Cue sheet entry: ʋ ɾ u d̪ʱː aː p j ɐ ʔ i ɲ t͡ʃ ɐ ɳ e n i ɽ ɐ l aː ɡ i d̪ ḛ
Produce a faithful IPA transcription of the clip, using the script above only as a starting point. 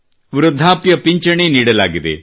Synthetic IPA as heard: ʋ ɾ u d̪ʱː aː p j ɐ p i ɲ t͡ʃ ɐ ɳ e n iː ɽ ɐ l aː ɡ i d̪ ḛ